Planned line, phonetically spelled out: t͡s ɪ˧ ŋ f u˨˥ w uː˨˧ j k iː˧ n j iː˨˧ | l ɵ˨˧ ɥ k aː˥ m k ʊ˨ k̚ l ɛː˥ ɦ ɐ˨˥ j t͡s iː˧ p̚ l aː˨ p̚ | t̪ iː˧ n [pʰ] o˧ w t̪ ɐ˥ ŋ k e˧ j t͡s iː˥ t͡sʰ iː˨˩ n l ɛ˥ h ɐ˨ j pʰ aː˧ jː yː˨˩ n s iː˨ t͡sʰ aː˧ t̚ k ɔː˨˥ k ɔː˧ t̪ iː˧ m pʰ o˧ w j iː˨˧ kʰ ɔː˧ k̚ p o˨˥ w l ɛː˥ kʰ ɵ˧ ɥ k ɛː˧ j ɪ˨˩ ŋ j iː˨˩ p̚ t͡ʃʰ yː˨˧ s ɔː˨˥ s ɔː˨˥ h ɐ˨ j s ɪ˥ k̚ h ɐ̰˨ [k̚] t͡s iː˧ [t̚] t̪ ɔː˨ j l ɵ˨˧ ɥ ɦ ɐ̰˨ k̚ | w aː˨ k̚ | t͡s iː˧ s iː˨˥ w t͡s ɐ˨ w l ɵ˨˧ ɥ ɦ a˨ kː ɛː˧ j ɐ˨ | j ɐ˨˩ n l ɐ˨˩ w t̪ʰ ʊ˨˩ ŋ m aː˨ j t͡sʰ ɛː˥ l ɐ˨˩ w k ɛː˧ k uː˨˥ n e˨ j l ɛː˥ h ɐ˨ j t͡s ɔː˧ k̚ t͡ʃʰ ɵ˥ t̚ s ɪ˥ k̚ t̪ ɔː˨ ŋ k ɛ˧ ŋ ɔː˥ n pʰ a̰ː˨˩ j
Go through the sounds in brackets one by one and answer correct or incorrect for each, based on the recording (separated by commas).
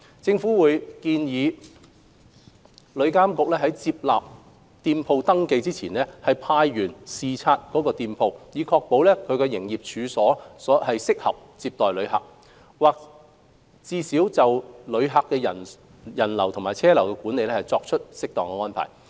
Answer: correct, incorrect, incorrect